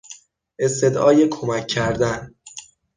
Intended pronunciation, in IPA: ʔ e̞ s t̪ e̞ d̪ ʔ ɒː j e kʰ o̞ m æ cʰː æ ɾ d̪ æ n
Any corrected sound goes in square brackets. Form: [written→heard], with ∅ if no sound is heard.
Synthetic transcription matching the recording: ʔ e̞ s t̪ e̞ d̪ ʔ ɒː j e kʰ o̞ m æ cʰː æ ɾ d̪ æ n